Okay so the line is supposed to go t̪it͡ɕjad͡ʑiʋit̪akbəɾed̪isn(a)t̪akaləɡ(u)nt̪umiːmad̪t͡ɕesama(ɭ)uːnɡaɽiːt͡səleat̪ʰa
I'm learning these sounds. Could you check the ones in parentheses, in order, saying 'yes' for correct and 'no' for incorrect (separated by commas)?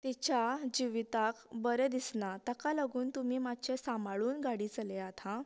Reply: yes, no, yes